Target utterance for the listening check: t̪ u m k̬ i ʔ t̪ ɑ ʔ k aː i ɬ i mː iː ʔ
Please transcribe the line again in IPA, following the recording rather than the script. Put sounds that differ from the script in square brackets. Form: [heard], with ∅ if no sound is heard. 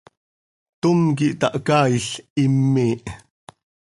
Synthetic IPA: t̪ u m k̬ i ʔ t̪ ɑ ʔ k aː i ɬ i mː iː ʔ